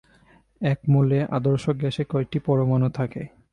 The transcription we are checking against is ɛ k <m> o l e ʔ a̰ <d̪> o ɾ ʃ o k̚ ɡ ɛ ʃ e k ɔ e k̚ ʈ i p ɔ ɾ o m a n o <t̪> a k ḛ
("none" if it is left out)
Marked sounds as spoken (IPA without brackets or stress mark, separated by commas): m, d̪, t̪ʰ